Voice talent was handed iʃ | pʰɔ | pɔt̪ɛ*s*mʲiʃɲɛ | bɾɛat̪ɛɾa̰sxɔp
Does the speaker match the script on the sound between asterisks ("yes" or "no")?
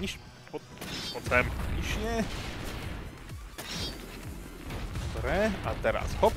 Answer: no